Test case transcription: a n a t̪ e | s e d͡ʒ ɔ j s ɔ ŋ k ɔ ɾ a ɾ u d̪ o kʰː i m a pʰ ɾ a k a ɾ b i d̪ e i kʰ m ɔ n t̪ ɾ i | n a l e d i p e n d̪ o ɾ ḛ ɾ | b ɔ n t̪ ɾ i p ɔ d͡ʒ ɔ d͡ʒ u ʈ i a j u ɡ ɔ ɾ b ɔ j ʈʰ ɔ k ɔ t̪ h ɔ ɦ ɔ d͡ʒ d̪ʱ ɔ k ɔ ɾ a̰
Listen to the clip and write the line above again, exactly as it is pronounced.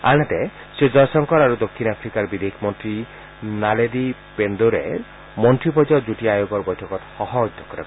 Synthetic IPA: a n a t̪ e | s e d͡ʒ ɔ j s ɔ ŋ k ɔ ɾ a ɾ u d̪ o kʰː i n a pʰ ɾ i k a ɾ b i d̪ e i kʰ m ɔ n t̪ ɾ i | n a l e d i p e n d̪ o ɾ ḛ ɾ | m ɔ n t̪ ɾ i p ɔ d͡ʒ ɔ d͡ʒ u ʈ i a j o ɡ ɔ ɾ b ɔ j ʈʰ ɔ k ɔ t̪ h ɔ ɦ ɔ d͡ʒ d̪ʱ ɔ k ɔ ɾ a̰